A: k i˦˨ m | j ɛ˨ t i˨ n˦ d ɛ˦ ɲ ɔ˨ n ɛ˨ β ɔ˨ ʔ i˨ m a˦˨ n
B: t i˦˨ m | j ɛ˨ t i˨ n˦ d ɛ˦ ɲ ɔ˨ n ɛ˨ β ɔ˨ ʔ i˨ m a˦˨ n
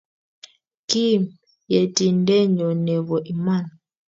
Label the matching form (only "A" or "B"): A